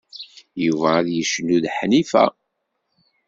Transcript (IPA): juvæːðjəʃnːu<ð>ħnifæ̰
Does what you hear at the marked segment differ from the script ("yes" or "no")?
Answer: no